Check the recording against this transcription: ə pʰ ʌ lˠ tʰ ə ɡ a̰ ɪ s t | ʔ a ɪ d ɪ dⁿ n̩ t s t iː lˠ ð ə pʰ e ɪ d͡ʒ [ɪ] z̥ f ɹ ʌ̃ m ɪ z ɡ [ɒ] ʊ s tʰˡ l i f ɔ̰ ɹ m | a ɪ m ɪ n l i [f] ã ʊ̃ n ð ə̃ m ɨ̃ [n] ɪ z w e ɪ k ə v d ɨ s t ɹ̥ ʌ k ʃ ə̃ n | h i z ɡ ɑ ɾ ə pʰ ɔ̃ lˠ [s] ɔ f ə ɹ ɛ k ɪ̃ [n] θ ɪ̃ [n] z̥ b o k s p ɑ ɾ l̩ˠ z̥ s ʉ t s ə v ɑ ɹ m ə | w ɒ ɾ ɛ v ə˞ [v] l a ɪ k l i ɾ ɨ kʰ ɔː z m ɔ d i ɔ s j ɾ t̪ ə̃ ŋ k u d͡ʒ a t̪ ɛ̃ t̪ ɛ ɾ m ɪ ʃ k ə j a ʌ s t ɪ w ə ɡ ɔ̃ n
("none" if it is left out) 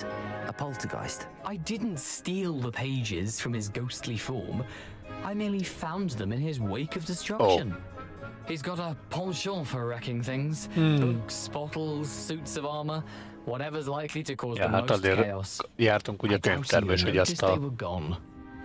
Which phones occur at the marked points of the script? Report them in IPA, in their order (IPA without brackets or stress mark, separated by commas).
ɪ, o, f, n, ʃ, ŋ, ŋ, z